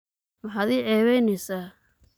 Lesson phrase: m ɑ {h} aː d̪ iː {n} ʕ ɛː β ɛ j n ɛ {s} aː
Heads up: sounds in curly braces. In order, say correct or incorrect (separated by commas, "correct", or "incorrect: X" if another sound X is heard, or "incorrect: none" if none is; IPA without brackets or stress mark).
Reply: incorrect: ħ, incorrect: none, correct